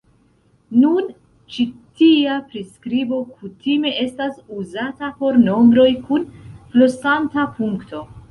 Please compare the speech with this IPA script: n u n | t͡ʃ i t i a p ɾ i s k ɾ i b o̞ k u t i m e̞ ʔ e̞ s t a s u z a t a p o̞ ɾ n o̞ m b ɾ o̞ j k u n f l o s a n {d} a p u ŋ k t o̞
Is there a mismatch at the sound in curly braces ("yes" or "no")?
yes